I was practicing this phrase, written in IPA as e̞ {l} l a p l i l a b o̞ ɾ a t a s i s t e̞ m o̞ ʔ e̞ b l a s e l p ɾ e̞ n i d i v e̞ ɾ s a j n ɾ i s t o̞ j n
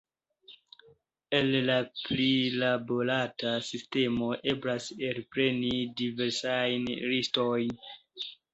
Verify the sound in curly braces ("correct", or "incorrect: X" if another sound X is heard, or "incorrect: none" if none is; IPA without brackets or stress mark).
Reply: correct